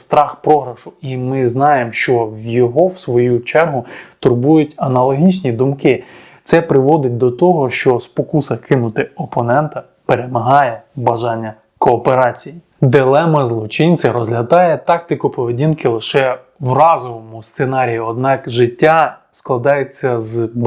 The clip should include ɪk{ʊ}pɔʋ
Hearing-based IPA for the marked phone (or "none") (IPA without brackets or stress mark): ʊ